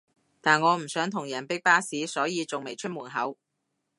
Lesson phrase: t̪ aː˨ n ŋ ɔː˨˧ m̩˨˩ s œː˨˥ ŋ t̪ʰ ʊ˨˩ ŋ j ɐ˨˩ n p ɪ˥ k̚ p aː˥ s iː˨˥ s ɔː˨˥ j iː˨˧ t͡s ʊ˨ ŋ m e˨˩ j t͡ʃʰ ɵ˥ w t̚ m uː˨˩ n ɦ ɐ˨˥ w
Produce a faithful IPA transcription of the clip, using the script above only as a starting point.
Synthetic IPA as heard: t̪ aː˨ n ŋ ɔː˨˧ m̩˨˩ s œː˨˥ ŋ t̪ʰ ʊ˨˩ ŋ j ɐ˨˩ n p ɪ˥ k̚ p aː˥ s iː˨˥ s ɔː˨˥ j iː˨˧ t͡s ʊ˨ ŋ m e˨˩ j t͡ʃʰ ɵ˥ t̚ m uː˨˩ n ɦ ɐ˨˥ w